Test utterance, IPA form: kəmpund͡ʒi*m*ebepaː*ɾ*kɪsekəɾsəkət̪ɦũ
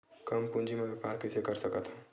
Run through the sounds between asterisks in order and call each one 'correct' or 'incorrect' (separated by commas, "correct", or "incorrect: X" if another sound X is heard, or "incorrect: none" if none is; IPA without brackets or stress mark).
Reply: correct, correct